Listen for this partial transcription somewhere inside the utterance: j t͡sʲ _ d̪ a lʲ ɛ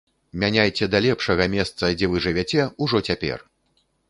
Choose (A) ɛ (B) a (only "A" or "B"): A